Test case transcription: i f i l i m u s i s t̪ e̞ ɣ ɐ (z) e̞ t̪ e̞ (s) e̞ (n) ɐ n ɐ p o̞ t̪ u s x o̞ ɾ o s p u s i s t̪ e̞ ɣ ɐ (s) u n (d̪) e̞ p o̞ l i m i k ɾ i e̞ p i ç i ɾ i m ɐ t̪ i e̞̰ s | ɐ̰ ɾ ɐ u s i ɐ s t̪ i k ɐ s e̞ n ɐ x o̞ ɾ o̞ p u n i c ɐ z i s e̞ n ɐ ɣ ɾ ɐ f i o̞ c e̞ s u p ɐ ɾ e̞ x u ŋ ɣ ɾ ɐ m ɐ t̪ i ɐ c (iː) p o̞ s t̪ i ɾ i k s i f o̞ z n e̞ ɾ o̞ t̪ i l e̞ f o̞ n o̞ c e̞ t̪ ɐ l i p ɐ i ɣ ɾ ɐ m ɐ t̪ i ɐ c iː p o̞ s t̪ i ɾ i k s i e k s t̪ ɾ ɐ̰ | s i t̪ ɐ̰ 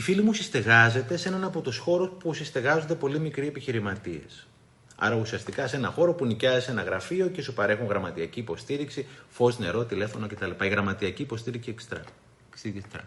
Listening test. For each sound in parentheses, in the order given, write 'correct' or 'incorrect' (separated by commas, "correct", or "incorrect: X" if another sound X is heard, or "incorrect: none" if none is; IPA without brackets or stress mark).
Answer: correct, correct, correct, incorrect: z, correct, correct